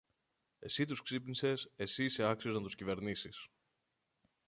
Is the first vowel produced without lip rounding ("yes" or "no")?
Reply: yes